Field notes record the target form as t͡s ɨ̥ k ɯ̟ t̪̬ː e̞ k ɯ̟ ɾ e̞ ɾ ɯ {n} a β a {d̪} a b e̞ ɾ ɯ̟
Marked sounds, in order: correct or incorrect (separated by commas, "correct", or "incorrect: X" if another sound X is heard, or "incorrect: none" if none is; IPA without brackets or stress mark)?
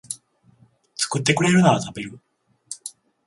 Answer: correct, incorrect: t̪